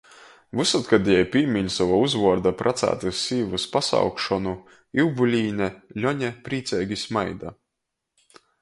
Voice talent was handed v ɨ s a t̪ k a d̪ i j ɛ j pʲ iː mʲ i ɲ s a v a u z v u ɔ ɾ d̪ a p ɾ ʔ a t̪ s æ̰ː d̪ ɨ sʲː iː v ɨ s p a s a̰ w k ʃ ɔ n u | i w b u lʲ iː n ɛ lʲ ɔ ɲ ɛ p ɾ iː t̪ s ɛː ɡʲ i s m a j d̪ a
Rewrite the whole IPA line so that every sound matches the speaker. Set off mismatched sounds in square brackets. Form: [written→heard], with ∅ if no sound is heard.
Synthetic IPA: v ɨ s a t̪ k a d̪ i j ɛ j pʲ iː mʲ i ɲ s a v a u z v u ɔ ɾ d̪ a p ɾ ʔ a t̪ s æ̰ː [d̪→t̪] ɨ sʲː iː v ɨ s p a s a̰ w k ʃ ɔ n u | i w b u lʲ iː n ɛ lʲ ɔ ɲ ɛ p ɾ iː t̪ s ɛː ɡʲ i s m a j d̪ a